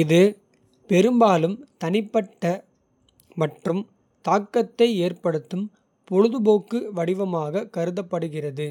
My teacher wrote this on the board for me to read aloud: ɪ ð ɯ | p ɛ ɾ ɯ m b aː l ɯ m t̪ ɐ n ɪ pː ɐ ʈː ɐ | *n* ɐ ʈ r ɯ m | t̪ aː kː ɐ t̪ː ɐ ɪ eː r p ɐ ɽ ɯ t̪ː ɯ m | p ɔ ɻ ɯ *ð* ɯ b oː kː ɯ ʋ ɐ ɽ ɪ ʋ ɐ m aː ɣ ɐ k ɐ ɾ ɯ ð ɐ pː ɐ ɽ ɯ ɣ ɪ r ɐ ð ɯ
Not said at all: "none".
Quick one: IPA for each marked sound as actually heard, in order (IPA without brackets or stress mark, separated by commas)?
m, ð